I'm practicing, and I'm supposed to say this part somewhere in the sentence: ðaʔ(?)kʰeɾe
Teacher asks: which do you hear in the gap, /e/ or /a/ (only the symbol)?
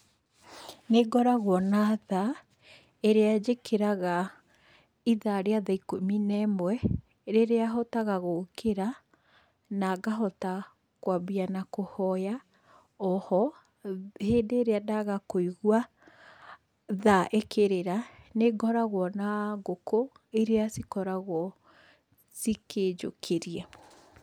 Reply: e